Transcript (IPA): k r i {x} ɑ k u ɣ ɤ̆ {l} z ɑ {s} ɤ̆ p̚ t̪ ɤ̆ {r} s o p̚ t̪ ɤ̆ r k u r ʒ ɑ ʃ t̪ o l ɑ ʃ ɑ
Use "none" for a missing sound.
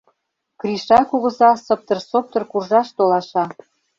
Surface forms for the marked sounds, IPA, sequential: ʃ, none, s, r

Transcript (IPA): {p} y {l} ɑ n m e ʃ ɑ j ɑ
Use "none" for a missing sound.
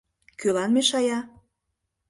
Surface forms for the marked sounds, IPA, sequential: k, l

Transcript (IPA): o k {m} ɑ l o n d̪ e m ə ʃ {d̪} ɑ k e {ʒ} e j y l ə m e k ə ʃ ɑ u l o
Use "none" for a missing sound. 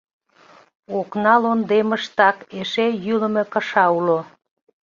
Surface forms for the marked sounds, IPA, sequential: n, t̪, ʃ

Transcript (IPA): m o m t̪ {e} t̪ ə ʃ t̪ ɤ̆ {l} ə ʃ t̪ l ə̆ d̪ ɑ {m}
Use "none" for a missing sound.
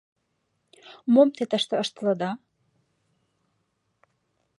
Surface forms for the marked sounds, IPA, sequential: e, none, none

